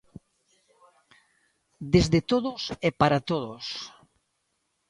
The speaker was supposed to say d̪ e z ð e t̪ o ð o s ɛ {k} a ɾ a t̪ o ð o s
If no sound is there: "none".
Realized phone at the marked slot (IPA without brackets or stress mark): p